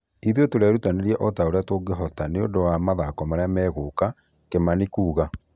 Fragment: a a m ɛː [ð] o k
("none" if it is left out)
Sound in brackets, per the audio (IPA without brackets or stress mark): ɣ